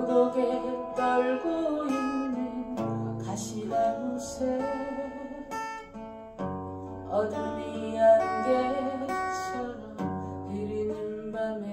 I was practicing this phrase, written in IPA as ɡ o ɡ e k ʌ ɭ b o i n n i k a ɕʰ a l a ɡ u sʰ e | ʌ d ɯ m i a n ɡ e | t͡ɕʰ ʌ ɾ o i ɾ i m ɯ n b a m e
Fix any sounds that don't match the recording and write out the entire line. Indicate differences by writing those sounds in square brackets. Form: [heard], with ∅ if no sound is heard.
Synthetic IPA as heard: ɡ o ɡ e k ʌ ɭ [ɡ] o i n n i k a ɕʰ [i] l a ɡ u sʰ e | ʌ d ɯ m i a n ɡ e | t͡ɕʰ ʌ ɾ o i ɾ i [n] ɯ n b a m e

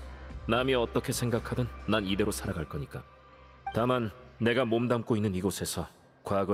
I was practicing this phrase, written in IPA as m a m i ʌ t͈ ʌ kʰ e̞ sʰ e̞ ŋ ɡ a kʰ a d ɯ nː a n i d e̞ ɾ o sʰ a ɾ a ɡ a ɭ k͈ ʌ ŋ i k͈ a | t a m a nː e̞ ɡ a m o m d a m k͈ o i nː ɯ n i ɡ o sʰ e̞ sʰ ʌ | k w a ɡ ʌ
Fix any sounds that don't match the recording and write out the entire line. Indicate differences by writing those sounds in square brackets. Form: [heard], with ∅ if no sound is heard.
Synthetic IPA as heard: [n] a m i ʌ t͈ ʌ kʰ e̞ sʰ e̞ ŋ ɡ a kʰ a d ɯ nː a n i d e̞ ɾ o sʰ a ɾ a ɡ a ɭ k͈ ʌ [ɲ] i k͈ a | t a m a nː e̞ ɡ a m o m d a m k͈ o i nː ɯ n i ɡ o sʰ e̞ sʰ ʌ | k w a ɡ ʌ

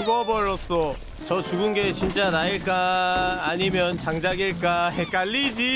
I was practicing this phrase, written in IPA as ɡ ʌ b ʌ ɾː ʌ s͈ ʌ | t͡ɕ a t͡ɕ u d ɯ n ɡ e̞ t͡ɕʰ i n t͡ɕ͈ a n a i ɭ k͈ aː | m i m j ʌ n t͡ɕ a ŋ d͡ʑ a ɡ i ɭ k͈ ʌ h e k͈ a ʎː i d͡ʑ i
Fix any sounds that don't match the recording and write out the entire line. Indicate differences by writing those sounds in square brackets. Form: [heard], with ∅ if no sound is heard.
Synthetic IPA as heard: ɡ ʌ b ʌ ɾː ʌ s͈ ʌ | t͡ɕ [ʌ] t͡ɕ u [ɡ] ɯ n ɡ e̞ [t͡ɕ] i n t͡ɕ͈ a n a i ɭ k͈ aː | [ɲ] i m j ʌ n t͡ɕ a ŋ d͡ʑ a ɡ i ɭ k͈ [a] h e k͈ a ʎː i d͡ʑ i

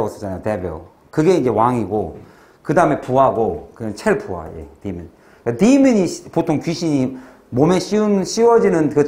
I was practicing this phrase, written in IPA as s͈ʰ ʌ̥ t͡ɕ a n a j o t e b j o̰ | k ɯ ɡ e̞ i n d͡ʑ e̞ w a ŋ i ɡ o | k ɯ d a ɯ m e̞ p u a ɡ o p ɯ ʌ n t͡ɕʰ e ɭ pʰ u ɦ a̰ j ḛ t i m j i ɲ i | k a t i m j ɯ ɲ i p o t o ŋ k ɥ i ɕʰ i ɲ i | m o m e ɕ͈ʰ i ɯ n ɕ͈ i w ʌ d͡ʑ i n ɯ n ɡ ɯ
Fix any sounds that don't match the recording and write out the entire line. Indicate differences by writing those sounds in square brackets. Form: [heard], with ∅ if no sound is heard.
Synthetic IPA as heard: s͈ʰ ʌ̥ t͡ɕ a n a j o t e b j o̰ | k ɯ ɡ e̞ i n d͡ʑ e̞ w a ŋ i ɡ o | k ɯ d a ɯ m e̞ p u a ɡ o [k] ɯ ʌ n t͡ɕʰ e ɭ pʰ u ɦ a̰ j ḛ t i m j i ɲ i | k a t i m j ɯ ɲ i p o [tʰ] o ŋ k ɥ i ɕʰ i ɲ i | m o m e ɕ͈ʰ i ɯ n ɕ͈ i w ʌ d͡ʑ i n ɯ n [k] ɯ

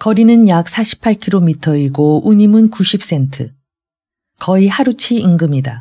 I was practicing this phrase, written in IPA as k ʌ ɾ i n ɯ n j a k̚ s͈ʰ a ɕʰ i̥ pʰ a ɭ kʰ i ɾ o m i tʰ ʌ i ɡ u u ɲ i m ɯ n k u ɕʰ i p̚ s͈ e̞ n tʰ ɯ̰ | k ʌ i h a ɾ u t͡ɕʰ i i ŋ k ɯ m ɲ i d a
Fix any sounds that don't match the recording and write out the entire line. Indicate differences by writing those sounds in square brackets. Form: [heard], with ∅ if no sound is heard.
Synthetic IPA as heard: k ʌ ɾ i n ɯ n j a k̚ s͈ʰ a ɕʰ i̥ pʰ a ɭ kʰ i ɾ o m i tʰ ʌ i ɡ [o] u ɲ i m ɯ n k u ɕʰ i p̚ s͈ e̞ n tʰ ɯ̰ | k ʌ i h a ɾ u t͡ɕʰ i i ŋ [ɡ] ɯ m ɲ i d a

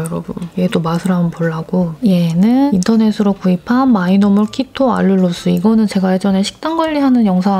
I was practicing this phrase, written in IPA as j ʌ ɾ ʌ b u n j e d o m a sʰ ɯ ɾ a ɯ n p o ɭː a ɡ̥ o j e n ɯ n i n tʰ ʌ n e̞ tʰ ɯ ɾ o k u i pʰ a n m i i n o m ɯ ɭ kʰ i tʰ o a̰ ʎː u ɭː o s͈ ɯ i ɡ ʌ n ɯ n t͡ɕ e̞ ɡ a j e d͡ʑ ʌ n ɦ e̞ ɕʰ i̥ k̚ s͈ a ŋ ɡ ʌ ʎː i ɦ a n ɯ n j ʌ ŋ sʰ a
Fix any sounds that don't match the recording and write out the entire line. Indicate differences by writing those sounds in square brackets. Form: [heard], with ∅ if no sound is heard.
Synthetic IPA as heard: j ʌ ɾ ʌ b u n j e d o m a sʰ ɯ ɾ a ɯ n p o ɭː a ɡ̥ o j e n ɯ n i n tʰ ʌ n e̞ [sʰ] ɯ ɾ o k u i pʰ a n m [a] i n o m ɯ ɭ kʰ i tʰ o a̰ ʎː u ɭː o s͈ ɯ i ɡ ʌ n ɯ n t͡ɕ e̞ ɡ a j e d͡ʑ ʌ n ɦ e̞ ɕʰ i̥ k̚ [t͈] a ŋ ɡ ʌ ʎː i ɦ a n ɯ n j ʌ ŋ sʰ a

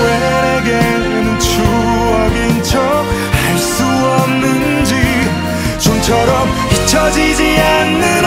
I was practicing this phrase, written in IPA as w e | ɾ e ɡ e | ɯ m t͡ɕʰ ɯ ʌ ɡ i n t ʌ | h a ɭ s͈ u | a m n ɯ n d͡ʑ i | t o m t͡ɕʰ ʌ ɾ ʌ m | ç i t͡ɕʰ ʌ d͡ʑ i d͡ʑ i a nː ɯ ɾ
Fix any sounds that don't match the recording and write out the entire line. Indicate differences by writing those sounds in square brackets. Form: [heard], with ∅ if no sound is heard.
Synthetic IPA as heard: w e | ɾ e ɡ e | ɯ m t͡ɕʰ [u] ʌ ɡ i n [t͡ɕʰ] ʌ | h a ɭ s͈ u | [ʌ] m n ɯ n d͡ʑ i | [t͡ɕ] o m t͡ɕʰ ʌ ɾ ʌ m | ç i t͡ɕʰ ʌ d͡ʑ i d͡ʑ i a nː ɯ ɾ

